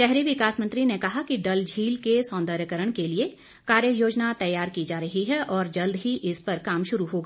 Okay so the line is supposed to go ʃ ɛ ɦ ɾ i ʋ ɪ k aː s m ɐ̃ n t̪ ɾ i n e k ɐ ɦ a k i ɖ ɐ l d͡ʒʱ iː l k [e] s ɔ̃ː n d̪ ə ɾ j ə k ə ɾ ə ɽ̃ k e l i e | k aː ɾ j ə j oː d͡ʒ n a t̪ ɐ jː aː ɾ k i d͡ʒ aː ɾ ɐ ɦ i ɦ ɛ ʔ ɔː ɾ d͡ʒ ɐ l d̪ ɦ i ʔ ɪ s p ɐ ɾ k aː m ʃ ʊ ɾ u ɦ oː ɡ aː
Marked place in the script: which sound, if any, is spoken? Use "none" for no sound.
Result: e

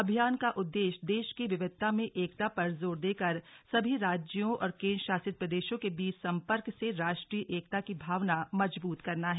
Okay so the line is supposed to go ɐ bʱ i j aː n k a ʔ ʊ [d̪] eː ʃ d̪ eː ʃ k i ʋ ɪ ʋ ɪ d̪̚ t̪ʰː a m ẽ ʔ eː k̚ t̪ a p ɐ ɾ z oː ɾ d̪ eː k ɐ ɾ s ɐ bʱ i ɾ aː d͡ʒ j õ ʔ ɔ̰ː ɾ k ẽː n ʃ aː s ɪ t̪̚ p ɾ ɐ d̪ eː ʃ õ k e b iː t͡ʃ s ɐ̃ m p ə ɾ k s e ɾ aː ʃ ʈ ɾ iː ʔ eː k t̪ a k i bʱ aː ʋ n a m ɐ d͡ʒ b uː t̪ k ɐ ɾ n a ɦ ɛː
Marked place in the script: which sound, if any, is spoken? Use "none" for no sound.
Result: d̪ː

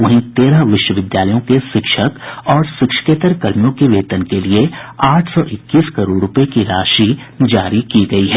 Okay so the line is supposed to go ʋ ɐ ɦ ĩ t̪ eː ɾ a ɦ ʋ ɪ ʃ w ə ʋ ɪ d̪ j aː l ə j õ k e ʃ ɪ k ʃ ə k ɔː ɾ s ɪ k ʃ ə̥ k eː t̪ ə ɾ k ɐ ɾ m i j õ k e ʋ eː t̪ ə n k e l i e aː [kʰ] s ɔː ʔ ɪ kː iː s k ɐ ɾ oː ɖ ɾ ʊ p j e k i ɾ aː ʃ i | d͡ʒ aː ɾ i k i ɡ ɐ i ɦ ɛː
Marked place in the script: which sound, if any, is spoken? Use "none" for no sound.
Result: ʈʰ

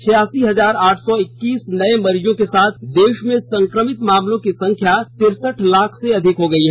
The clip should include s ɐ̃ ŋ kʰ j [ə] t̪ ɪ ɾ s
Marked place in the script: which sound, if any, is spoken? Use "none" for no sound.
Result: a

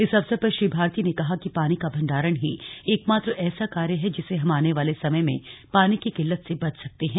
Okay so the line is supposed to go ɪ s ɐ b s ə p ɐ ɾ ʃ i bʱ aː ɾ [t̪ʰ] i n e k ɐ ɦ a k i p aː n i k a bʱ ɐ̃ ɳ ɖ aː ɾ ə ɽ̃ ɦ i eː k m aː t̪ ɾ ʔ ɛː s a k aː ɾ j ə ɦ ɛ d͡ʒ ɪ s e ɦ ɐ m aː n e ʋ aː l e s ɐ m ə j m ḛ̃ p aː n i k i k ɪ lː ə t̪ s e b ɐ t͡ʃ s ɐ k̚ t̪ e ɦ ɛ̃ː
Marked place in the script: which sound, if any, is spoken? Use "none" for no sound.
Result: t̪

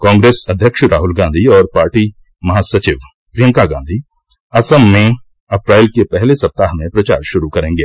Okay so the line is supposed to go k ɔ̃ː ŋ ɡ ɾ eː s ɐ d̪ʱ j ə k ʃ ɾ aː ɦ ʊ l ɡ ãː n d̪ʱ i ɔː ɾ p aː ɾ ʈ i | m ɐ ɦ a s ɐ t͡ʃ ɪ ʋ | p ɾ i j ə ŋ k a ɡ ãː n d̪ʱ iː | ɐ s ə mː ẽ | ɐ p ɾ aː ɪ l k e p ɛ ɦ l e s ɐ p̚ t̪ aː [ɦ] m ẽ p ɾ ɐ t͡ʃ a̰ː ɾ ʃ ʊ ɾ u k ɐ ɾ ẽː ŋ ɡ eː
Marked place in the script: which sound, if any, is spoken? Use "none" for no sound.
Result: ɦ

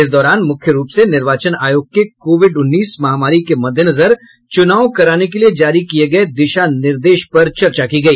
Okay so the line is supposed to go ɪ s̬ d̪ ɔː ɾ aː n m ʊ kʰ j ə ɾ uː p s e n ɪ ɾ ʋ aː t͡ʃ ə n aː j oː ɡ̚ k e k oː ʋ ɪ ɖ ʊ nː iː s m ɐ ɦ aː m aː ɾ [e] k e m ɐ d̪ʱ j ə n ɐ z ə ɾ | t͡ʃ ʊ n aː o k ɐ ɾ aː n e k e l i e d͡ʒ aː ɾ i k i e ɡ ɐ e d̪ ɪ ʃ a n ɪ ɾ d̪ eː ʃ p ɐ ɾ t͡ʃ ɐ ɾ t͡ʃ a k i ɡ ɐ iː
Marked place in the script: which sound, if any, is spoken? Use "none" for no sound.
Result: i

